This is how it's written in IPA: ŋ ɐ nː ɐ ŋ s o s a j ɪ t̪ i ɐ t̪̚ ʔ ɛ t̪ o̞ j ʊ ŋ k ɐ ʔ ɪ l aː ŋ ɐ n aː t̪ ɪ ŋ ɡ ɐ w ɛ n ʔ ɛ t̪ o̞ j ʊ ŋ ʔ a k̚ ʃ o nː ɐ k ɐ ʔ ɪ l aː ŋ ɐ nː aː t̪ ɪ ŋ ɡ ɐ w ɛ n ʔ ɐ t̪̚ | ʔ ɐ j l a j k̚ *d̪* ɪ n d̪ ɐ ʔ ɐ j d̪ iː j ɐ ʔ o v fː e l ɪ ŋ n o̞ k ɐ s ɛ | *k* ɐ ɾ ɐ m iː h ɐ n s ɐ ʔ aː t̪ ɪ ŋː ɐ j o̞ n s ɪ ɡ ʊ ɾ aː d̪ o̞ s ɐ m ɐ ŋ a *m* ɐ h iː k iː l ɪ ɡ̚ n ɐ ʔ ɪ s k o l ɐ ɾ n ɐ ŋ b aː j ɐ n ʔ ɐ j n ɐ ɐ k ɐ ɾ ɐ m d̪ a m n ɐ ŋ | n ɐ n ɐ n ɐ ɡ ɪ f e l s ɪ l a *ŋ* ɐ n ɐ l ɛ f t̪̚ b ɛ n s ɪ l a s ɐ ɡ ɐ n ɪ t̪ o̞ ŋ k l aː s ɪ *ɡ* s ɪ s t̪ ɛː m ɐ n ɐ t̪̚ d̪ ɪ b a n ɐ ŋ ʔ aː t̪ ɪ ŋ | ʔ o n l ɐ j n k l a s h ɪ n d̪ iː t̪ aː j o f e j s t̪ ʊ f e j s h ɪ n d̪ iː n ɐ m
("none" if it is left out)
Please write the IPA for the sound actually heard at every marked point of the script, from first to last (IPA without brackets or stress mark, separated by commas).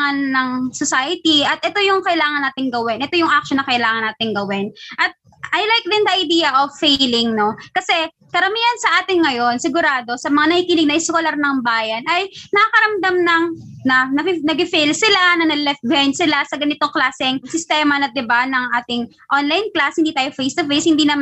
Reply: d̪, k, n, n, ŋ